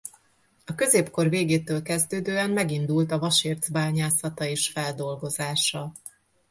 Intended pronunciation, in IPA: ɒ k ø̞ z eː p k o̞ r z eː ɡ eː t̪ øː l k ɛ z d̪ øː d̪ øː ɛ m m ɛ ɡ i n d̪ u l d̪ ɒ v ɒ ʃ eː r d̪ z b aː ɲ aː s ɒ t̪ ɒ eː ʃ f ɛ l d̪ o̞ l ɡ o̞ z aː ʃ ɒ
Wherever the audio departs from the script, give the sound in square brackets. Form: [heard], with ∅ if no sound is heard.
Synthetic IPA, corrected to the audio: ɒ k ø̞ z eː p k o̞ r [v] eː ɡ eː t̪ øː l k ɛ z d̪ øː d̪ øː ɛ m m ɛ ɡ i n d̪ u l [t̪] ɒ v ɒ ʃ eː r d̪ z b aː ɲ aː s ɒ t̪ ɒ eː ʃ f ɛ l d̪ o̞ l ɡ o̞ z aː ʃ ɒ